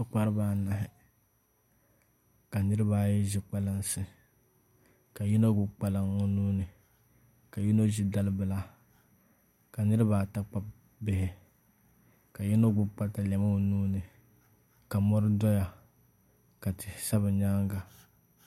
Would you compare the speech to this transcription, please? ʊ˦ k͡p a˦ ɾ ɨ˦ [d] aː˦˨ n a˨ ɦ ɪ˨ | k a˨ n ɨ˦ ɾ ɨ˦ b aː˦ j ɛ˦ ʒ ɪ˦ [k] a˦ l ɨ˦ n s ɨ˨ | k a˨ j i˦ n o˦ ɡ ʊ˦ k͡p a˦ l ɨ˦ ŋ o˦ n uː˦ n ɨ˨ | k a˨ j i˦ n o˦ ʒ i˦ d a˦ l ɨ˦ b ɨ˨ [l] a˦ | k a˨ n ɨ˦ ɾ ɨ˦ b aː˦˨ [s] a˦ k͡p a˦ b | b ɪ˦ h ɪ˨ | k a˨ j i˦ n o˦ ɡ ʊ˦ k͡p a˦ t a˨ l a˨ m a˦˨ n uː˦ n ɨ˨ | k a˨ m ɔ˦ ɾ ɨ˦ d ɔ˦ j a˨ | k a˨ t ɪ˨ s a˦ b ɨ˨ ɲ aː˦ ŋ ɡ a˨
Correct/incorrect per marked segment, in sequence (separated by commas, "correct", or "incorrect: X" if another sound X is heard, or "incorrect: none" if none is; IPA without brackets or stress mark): incorrect: b, incorrect: k͡p, correct, incorrect: t